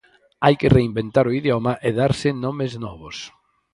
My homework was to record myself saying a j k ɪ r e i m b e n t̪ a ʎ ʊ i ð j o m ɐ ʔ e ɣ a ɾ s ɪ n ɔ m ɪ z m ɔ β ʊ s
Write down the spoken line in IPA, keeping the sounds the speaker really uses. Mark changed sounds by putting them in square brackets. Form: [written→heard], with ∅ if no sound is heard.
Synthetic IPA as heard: a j k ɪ r e i m b e n t̪ a [ʎ→ɾ] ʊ i ð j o m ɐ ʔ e [ɣ→ð] a ɾ s ɪ n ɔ m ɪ z [m→n] ɔ β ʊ s